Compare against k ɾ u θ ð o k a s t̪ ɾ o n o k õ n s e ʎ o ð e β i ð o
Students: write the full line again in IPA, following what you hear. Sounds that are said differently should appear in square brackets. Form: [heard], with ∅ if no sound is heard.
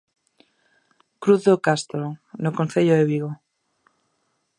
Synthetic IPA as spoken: k ɾ u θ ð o k a s t̪ ɾ o n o k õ n [θ] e ʎ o ð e β i [ɣ] o

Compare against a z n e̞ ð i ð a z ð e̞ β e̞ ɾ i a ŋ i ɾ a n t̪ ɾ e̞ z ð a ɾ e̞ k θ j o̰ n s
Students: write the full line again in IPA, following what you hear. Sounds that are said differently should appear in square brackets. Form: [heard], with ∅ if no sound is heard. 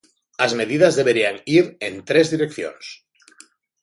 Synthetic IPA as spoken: a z [m] e̞ ð i ð a z ð e̞ β e̞ ɾ i a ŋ i ɾ [e] n t̪ ɾ e̞ z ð [i] ɾ e̞ k θ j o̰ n s

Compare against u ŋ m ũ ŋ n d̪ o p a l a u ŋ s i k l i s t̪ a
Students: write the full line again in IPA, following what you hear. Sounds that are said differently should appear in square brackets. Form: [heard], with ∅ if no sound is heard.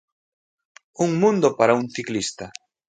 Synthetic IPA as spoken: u ŋ m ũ [∅] n d̪ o p a [ɾ] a u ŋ [θ] i k l i s t̪ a

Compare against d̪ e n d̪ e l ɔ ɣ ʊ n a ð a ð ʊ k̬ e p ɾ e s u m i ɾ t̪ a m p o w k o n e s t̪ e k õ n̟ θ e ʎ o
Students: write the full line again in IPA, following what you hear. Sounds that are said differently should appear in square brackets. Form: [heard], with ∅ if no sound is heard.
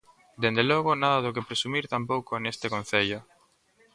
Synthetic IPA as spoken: d̪ e n d̪ e l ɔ ɣ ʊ n a ð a ð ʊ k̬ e p ɾ e s u m i ɾ t̪ a m p o w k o n e s t̪ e k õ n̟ θ e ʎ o

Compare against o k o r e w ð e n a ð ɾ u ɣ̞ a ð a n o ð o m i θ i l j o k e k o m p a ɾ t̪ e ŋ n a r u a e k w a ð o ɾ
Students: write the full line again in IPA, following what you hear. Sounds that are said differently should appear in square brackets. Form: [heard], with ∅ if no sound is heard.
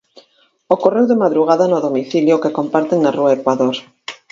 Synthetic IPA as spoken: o k o r e w ð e [m] a ð ɾ u ɣ̞ a ð a n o ð o m i θ i l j o k e k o m p a ɾ t̪ e ŋ n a r u a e k w a ð o ɾ

